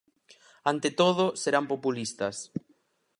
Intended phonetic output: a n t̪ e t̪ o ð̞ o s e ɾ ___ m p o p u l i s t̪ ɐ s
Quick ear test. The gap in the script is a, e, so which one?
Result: a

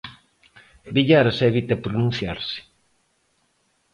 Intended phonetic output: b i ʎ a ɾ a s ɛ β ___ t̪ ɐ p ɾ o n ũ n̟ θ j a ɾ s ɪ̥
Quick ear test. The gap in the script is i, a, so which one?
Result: i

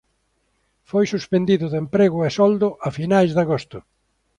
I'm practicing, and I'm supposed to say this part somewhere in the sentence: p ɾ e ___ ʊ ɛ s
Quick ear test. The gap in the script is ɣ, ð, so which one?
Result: ɣ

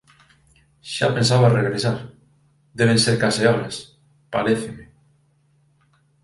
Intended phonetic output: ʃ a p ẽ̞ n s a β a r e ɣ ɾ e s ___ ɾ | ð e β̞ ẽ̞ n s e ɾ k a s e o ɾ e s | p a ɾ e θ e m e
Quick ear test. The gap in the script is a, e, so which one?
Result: a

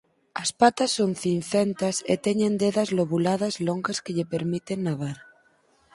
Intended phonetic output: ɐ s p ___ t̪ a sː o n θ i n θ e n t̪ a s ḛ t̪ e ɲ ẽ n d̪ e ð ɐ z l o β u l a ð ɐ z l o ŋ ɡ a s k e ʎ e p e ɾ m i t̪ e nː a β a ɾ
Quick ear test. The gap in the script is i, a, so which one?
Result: a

